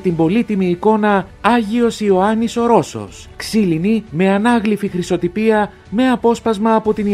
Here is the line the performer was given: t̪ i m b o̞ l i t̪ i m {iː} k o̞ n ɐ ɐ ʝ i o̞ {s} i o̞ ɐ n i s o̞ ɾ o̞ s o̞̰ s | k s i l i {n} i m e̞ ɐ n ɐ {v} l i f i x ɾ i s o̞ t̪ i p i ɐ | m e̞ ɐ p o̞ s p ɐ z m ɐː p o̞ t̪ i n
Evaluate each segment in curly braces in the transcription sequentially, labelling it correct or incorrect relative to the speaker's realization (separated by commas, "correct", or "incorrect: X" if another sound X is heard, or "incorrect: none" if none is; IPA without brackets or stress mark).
correct, correct, correct, incorrect: ɣ